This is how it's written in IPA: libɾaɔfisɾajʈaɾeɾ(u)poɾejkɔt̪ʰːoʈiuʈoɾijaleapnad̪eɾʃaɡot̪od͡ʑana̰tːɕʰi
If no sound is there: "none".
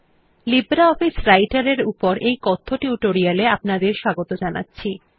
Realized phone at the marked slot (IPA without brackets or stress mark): u